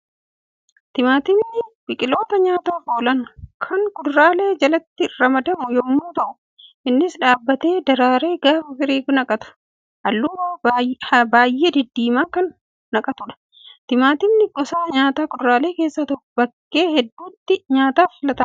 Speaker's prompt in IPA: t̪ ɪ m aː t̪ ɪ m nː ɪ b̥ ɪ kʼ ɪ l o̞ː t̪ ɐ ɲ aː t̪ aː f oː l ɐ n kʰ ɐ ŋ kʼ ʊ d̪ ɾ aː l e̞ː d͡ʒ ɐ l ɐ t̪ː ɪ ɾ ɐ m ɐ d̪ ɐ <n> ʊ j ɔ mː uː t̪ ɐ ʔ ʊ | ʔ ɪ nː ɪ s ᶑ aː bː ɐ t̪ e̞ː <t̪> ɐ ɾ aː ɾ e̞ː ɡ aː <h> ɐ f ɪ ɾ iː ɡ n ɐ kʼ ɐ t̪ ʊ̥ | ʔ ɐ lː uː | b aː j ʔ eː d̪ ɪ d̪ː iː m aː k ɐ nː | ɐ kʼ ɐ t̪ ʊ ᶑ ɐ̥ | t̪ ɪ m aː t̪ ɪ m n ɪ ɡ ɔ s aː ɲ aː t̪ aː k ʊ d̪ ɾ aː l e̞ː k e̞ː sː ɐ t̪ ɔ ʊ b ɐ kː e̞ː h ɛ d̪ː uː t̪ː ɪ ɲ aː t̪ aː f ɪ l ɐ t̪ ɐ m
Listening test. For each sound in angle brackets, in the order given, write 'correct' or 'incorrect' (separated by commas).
incorrect, incorrect, incorrect